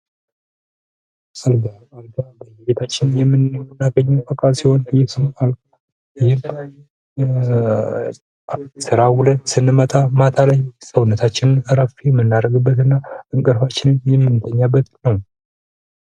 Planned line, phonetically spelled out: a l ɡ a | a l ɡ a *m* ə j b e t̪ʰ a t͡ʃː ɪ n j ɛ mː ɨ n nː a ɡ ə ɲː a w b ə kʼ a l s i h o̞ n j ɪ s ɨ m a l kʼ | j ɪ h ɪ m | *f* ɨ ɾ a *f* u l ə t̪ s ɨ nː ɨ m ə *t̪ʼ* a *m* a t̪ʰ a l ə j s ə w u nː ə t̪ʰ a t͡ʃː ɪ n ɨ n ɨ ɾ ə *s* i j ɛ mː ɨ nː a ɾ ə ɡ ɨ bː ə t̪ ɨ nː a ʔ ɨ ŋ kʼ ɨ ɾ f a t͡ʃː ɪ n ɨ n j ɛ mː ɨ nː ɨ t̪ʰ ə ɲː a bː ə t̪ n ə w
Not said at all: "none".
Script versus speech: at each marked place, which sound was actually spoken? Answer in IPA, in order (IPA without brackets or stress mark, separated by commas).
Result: b, s, h, t̪ʼ, m, f